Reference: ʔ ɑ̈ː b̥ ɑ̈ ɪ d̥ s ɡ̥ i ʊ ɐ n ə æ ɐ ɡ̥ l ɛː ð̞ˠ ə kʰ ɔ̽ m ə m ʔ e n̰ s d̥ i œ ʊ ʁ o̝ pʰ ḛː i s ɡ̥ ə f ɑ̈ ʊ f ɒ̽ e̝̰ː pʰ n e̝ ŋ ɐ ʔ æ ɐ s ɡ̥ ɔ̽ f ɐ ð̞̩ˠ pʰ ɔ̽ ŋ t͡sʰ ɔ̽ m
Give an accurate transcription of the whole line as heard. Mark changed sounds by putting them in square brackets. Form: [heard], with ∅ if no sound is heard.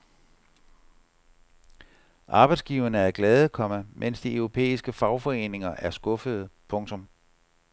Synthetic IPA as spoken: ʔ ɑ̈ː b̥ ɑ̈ ɪ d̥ s ɡ̥ i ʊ ɐ n ə æ ɐ ɡ̥ l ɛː ð̞ˠ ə kʰ [ɒ̽] m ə m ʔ e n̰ s d̥ i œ ʊ ʁ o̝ pʰ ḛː i s ɡ̥ ə f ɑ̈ ʊ f ɒ̽ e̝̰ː [∅] n e̝ ŋ ɐ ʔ æ ɐ s ɡ̥ ɔ̽ f [ə] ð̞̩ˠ pʰ ɔ̽ ŋ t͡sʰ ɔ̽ m

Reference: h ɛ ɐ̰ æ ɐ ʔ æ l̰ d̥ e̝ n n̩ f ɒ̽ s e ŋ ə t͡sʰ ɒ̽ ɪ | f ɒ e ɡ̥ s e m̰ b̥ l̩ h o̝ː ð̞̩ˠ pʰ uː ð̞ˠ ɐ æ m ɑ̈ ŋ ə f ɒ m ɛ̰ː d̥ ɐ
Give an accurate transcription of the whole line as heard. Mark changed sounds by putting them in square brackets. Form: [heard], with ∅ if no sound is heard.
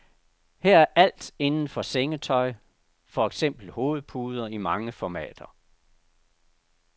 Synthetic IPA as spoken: h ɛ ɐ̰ æ ɐ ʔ æ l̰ d̥ e̝ n n̩ f ɒ̽ s e ŋ ə t͡sʰ ɒ̽ ɪ | f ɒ e ɡ̥ s e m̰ b̥ l̩ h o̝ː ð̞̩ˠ pʰ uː ð̞ˠ ɐ [i] m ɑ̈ ŋ ə f ɒ m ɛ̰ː d̥ ɐ

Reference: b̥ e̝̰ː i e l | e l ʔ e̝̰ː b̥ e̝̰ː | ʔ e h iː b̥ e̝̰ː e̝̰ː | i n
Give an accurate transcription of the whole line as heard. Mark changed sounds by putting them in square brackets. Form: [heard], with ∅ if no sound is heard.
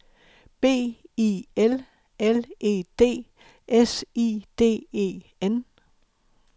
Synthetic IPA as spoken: b̥ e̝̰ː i e l | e l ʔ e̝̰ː [d̥] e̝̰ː | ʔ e [s] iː [d̥] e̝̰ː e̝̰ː | [e] n

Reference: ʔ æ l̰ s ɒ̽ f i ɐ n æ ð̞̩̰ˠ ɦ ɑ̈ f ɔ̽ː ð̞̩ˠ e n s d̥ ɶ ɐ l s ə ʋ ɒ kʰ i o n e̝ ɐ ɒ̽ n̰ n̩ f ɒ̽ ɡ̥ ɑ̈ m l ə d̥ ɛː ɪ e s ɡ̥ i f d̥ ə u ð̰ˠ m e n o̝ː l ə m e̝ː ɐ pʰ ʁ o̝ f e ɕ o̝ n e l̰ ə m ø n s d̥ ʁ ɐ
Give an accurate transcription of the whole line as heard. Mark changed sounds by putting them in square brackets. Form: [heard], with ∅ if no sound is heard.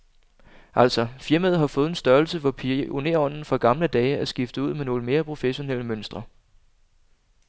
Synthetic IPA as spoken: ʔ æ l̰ s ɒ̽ f i ɐ [m] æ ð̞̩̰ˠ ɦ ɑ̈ f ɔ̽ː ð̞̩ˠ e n s d̥ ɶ ɐ l s ə ʋ ɒ [pʰ] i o n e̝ ɐ ɒ̽ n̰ n̩ f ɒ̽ ɡ̥ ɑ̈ m l ə d̥ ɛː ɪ [æ] s ɡ̥ i f d̥ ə u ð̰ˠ m e n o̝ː l ə m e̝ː ɐ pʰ ʁ o̝ f e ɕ o̝ n e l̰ ə m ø n s d̥ ʁ ɐ

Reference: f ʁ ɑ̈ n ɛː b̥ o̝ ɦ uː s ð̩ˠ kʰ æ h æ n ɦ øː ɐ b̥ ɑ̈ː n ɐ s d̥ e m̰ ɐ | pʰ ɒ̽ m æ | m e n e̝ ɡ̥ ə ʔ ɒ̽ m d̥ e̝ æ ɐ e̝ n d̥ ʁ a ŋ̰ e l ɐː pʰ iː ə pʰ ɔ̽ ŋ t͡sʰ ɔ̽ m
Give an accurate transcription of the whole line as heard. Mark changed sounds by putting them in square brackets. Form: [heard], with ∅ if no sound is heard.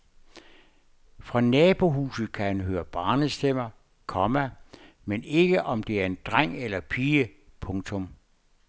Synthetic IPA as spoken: f ʁ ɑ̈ n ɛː b̥ o̝ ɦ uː s ð̩ˠ kʰ æ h æ n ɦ øː ɐ b̥ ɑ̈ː n [ə] s d̥ e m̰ ɐ | [kʰ] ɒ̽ m æ | m e n e̝ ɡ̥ ə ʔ ɒ̽ m d̥ e̝ æ ɐ e̝ n d̥ ʁ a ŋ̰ e l [ɐ] pʰ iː ə pʰ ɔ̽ ŋ t͡sʰ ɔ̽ m

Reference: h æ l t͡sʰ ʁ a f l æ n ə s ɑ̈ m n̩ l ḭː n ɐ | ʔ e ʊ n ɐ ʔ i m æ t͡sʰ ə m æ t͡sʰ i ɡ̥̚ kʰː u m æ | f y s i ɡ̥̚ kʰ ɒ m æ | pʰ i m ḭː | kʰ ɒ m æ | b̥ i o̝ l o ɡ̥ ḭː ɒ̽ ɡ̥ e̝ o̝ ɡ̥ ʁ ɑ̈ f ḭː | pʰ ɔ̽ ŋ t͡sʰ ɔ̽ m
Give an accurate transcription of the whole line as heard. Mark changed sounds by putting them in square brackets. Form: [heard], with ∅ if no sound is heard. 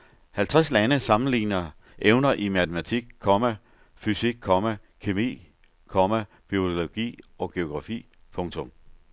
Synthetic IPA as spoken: h æ l t͡sʰ ʁ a [s] l æ n ə s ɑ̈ m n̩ l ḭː n ɐ | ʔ e ʊ n ɐ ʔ i m æ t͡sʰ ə m æ t͡sʰ i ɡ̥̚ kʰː [ɒ] m æ | f y s i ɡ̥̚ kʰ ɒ m æ | [kʰ] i m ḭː | kʰ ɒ m æ | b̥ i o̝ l o ɡ̥ ḭː ɒ̽ ɡ̥ e̝ o̝ ɡ̥ ʁ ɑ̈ f ḭː | pʰ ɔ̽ ŋ t͡sʰ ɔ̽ m

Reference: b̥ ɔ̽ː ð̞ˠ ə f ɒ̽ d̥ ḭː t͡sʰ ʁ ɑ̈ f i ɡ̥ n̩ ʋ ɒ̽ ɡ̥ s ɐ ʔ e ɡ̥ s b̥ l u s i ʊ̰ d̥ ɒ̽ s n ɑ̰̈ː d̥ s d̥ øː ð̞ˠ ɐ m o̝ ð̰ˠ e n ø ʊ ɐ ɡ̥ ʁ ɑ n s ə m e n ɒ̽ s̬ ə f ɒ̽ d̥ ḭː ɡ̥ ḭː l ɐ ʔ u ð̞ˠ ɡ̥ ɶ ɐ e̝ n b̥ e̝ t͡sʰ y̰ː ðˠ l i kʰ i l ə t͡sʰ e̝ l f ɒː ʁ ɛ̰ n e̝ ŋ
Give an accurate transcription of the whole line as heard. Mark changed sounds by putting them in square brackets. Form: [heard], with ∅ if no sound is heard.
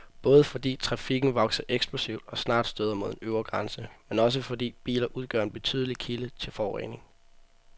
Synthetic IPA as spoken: b̥ ɔ̽ː ð̞ˠ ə f ɒ̽ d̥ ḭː t͡sʰ ʁ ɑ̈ f i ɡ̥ n̩ ʋ ɒ̽ ɡ̥ s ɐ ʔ e ɡ̥ s b̥ l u s i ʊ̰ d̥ ɒ̽ s n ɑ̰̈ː d̥ s d̥ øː ð̞ˠ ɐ m o̝ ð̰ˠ e n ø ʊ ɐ ɡ̥ ʁ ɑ n s ə m e n ɒ̽ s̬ ə f ɒ̽ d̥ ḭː [b̥] ḭː l ɐ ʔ u ð̞ˠ ɡ̥ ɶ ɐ e̝ n b̥ e̝ t͡sʰ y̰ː ðˠ l i kʰ i l ə t͡sʰ e̝ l f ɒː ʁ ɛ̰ n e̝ ŋ

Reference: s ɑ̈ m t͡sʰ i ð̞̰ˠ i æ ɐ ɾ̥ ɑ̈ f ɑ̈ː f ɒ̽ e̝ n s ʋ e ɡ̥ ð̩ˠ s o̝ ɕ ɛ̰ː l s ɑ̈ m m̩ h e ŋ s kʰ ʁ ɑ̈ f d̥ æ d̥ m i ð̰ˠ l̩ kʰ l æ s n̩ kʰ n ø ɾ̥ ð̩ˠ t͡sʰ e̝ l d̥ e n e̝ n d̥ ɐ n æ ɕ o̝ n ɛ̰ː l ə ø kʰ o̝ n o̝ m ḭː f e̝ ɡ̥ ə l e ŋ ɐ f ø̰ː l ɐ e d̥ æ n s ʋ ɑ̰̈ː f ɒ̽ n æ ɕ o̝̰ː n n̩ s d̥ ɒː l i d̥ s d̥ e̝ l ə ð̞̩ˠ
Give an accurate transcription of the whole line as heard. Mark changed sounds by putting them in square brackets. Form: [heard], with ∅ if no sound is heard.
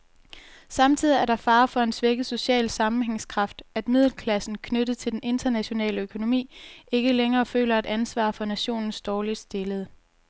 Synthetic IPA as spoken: s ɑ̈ m t͡sʰ i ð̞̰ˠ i æ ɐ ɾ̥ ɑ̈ f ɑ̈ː f ɒ̽ e̝ n s ʋ e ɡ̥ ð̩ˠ s o̝ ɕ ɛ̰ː l s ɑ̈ m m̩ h e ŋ s kʰ ʁ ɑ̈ f d̥ æ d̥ m i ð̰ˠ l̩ kʰ l æ s n̩ kʰ n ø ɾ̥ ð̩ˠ t͡sʰ e̝ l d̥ e n e̝ n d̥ ɐ n æ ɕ o̝ n ɛ̰ː l ə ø kʰ o̝ n o̝ m ḭː [∅] e̝ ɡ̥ ə l e ŋ [ɐː] f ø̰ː l ɐ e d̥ æ n s ʋ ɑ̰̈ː f ɒ̽ n æ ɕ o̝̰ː n n̩ s d̥ ɒː l i d̥ s d̥ e̝ l ə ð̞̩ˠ

